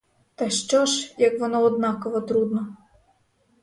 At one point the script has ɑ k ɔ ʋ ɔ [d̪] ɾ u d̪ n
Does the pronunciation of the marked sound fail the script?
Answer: yes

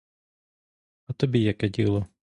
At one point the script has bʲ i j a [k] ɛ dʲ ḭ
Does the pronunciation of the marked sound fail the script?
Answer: no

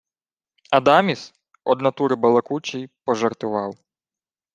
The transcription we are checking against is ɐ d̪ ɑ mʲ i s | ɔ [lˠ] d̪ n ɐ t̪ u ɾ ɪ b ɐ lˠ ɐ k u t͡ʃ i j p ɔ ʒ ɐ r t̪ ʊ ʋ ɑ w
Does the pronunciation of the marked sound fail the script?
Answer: yes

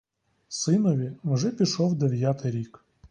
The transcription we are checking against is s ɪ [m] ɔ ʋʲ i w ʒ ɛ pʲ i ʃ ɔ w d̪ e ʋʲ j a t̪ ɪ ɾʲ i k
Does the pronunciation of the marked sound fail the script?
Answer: yes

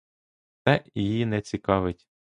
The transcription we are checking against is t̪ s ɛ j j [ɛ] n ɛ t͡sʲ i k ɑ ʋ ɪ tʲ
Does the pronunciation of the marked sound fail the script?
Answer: yes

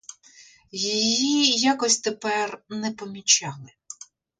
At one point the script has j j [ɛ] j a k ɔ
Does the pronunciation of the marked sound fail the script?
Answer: yes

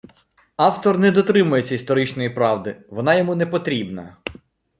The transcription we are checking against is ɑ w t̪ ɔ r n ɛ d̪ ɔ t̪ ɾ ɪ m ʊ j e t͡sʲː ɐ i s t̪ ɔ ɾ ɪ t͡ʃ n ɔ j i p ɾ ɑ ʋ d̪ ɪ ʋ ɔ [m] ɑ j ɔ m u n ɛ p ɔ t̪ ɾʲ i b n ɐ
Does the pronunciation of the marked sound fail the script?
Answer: yes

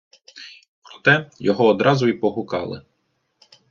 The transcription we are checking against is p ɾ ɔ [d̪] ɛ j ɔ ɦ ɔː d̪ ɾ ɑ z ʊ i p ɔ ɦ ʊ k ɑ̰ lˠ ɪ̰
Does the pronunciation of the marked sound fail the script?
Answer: yes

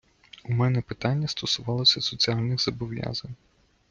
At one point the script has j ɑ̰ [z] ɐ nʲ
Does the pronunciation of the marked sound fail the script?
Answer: no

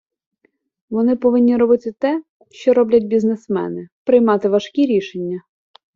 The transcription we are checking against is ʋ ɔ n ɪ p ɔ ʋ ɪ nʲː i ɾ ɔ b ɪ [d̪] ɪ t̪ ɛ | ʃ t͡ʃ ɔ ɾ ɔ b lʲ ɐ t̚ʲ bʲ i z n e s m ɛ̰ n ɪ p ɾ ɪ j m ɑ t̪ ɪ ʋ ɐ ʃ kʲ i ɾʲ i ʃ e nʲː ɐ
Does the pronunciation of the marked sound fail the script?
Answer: yes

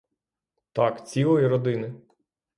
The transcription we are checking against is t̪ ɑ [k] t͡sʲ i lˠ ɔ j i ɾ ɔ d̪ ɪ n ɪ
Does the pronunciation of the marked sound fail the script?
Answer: no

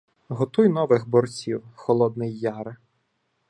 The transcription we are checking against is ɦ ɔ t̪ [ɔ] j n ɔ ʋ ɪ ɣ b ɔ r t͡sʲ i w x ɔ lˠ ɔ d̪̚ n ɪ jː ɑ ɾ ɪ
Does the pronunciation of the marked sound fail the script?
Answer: yes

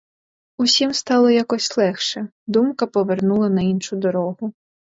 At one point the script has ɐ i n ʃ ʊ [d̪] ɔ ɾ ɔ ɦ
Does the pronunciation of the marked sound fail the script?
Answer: no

